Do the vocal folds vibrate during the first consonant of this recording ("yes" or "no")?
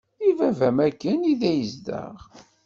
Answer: yes